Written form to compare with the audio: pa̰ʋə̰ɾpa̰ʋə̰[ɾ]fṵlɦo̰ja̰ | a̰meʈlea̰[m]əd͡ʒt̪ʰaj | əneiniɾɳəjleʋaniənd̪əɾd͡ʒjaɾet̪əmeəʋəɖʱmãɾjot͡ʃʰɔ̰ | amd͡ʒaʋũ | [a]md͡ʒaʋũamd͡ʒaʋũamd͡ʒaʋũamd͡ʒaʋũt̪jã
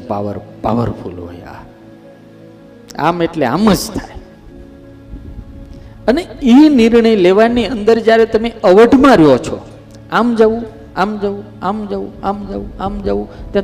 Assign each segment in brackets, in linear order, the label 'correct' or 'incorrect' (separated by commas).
correct, correct, correct